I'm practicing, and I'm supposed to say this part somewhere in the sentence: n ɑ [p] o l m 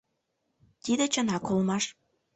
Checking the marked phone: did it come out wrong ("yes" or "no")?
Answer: yes